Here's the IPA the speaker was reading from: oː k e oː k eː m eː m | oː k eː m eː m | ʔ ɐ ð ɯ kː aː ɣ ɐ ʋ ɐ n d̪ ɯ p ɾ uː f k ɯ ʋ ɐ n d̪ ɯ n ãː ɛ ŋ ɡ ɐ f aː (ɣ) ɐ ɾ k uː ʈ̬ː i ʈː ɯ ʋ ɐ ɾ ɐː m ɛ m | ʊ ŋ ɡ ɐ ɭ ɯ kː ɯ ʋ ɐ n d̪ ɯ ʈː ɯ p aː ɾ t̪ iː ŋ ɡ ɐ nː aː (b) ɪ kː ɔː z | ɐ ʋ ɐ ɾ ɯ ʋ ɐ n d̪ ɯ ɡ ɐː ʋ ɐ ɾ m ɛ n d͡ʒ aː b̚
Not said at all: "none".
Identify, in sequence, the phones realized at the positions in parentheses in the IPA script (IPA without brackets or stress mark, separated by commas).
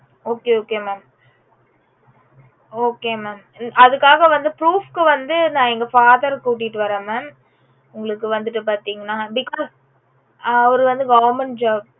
ð, b